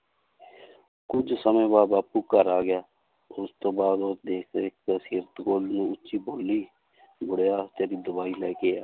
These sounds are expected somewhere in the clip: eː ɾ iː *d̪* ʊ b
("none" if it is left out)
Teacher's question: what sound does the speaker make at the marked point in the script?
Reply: d̪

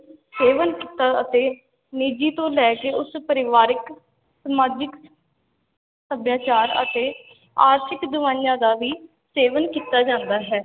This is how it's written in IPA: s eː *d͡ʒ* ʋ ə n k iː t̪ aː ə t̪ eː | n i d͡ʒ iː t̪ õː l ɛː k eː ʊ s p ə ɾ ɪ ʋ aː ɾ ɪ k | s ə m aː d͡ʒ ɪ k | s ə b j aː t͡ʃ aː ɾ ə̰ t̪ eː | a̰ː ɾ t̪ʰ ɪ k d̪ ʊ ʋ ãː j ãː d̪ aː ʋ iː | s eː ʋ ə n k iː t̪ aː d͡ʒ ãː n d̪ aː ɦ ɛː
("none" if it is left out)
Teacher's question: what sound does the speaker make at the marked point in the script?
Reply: none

